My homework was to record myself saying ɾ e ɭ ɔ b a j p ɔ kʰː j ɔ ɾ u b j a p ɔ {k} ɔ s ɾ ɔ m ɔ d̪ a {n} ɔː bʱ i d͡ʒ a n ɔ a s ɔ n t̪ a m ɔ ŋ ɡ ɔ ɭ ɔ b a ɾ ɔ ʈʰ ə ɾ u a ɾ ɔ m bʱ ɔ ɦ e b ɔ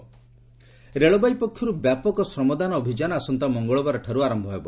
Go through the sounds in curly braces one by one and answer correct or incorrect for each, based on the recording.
correct, correct

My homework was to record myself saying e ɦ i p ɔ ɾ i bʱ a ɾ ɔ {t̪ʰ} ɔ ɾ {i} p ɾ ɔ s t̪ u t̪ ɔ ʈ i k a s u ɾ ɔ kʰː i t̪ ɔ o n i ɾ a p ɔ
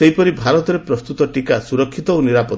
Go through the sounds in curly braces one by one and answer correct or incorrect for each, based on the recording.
incorrect: t̪, incorrect: e

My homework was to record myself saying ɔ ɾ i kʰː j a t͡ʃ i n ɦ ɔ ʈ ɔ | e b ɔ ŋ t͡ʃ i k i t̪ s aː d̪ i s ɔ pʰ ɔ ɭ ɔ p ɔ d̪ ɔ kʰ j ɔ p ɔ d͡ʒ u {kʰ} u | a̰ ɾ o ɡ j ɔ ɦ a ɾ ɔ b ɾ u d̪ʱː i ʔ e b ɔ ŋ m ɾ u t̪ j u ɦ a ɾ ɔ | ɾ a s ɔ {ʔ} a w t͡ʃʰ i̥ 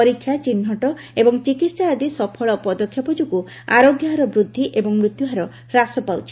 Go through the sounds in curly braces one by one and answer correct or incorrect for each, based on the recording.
incorrect: k, incorrect: p

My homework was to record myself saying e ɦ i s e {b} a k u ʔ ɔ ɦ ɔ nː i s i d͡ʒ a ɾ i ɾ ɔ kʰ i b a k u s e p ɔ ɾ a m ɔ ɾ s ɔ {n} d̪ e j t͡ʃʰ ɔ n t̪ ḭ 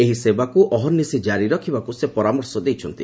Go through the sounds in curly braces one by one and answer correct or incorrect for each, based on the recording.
correct, incorrect: none

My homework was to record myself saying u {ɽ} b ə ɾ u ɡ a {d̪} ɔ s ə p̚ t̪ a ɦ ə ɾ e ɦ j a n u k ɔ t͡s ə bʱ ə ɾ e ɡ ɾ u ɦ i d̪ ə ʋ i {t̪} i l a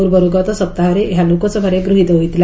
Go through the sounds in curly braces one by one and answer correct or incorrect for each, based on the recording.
incorrect: ɾ, incorrect: t̪, correct

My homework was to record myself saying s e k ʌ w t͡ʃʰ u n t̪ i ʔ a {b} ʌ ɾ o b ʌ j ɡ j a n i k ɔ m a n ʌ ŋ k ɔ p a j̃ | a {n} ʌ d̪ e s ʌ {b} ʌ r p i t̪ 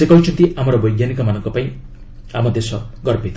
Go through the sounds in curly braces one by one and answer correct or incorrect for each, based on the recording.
incorrect: m, incorrect: m, incorrect: ɡ

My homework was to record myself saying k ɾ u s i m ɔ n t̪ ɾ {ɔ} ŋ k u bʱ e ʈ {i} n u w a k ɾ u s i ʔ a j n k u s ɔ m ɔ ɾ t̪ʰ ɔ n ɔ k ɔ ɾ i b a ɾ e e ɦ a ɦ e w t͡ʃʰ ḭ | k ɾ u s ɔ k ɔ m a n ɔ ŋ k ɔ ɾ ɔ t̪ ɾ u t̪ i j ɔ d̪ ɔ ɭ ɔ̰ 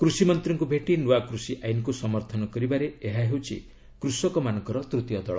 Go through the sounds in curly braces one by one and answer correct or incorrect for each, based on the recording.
correct, correct

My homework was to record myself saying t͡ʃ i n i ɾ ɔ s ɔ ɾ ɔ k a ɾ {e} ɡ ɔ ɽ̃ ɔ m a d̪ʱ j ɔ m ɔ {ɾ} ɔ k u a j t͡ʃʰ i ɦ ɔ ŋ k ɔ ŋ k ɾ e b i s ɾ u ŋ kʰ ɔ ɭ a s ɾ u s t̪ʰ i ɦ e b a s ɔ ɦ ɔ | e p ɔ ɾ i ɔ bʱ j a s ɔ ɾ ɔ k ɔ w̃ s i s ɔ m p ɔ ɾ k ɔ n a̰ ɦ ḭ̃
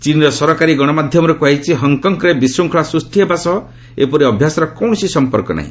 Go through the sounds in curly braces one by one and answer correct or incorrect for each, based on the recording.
incorrect: i, correct

